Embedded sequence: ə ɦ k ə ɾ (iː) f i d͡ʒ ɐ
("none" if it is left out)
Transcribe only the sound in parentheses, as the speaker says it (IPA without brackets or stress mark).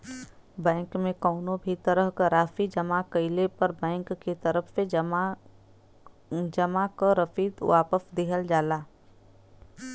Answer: aː